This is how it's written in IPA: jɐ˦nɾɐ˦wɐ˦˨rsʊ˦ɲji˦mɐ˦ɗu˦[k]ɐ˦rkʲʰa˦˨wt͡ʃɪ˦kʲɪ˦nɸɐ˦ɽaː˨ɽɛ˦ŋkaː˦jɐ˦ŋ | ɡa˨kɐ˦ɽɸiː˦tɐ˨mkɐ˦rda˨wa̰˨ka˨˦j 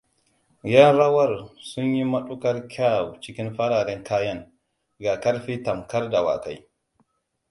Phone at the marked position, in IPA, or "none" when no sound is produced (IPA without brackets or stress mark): k